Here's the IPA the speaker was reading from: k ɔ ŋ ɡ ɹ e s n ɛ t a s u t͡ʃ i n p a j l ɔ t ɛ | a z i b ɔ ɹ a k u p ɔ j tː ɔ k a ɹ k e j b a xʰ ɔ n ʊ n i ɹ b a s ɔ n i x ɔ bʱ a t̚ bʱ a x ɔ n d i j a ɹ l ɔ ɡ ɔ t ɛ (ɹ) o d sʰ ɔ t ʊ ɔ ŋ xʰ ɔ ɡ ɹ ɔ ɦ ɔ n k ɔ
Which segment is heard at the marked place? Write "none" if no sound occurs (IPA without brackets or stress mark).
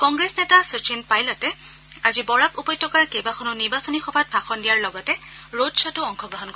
ɹ